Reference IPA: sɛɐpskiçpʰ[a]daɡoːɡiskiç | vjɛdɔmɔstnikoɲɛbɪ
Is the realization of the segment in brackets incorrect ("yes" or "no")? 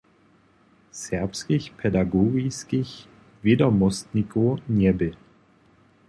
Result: yes